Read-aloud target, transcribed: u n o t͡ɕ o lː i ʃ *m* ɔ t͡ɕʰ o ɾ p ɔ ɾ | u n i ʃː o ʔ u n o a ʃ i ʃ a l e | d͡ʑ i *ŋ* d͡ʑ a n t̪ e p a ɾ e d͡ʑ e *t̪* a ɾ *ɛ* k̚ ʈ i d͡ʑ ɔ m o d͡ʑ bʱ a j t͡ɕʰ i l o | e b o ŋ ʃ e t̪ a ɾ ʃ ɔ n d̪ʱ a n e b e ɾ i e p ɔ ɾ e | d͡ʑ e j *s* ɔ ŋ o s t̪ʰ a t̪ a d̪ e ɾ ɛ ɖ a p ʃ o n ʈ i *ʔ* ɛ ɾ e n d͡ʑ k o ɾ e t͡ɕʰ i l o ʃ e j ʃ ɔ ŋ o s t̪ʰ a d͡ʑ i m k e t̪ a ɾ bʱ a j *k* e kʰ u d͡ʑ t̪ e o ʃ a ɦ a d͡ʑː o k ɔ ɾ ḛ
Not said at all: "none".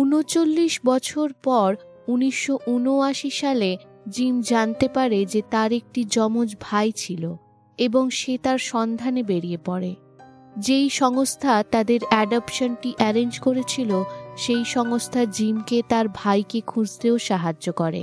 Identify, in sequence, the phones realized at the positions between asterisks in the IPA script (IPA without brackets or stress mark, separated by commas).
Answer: b, m, t̪, e, ʃ, ʔ, k